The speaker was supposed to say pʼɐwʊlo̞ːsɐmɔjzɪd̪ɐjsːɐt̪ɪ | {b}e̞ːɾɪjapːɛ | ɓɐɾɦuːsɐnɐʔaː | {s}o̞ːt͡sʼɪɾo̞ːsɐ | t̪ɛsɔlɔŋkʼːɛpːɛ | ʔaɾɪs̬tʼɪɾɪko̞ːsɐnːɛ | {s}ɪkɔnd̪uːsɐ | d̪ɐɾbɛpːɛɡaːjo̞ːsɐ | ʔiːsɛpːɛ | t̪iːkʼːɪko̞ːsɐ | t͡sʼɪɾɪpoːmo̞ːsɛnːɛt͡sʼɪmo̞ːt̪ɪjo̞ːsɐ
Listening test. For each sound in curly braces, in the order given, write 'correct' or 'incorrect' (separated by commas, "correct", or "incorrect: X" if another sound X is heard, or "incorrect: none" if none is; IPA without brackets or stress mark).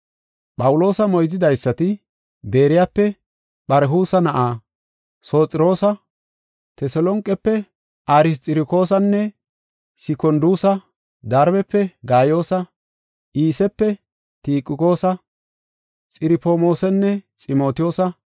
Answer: correct, correct, correct